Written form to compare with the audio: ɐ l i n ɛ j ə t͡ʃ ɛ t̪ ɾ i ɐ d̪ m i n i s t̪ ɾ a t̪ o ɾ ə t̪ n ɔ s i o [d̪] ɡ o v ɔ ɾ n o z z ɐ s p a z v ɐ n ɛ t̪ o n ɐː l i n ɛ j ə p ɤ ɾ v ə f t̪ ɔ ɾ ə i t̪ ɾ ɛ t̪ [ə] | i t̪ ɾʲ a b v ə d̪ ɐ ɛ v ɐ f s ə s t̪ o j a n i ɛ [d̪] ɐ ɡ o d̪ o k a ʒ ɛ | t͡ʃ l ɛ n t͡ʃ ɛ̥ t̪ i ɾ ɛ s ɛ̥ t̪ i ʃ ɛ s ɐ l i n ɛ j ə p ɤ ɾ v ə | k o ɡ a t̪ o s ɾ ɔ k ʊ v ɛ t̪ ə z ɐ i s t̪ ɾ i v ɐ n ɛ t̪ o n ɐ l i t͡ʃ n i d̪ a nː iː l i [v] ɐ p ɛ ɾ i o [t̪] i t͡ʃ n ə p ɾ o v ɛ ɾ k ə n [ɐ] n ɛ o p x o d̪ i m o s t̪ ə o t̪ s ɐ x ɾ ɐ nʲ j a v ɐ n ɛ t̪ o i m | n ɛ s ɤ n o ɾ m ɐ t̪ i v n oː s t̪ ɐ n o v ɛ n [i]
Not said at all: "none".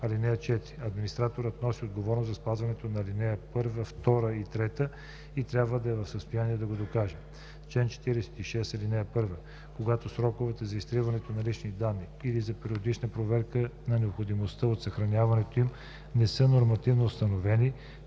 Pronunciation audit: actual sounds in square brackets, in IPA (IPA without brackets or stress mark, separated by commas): d̪, ə, d̪, z, d̪, ɐ, i